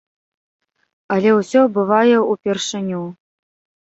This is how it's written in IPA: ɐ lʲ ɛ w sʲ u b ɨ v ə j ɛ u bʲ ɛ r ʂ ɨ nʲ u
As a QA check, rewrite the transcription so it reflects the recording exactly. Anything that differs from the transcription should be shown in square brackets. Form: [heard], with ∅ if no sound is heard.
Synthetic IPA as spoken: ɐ lʲ ɛ w sʲ [ɔ] b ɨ v [a] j ɛ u [pʲ] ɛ r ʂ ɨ nʲ u